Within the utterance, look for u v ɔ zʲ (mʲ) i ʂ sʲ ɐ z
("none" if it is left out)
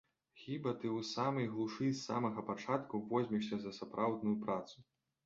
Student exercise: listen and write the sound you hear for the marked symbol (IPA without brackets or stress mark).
mʲ